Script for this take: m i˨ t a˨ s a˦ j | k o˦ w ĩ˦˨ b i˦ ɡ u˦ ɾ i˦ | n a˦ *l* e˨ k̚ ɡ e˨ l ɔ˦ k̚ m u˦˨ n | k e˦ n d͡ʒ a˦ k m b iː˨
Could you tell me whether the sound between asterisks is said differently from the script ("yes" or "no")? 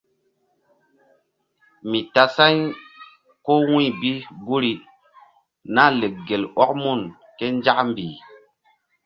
no